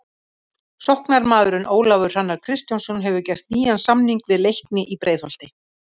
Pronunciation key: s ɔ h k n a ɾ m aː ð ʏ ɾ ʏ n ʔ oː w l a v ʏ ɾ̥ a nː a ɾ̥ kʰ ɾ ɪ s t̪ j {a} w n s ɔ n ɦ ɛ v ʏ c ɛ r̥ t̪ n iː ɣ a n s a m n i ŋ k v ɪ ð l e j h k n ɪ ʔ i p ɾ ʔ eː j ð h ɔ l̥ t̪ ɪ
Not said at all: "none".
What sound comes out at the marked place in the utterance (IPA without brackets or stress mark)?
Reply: a